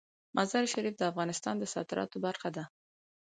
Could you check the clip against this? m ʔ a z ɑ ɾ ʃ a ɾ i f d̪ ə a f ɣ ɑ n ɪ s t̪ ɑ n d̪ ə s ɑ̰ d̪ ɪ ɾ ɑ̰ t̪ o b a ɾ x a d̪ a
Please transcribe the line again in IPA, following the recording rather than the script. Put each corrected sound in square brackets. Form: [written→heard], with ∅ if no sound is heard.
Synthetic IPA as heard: m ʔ a z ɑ ɾ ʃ a ɾ i f d̪ ə a f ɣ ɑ n ɪ s t̪ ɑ n d̪ ə s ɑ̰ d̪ ɪ ɾ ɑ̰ t̪ o b a ɾ x a d̪ a